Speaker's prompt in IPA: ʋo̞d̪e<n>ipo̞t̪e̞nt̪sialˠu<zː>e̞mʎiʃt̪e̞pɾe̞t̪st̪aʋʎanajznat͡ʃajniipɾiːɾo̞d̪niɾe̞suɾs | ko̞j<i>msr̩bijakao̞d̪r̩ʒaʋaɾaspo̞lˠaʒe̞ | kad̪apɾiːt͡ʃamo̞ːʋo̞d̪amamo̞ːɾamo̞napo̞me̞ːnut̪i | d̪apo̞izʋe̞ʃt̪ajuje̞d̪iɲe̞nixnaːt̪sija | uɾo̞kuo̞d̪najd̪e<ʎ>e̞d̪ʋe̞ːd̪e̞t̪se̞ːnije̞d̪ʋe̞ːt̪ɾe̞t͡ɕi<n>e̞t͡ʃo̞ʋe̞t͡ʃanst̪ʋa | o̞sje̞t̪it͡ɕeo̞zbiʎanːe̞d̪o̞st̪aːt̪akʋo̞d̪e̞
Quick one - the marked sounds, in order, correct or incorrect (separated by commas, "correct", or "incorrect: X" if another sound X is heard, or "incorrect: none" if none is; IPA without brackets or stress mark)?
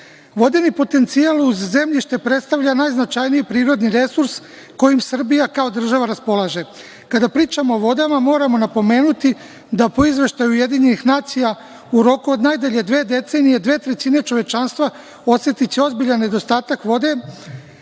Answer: correct, correct, correct, correct, correct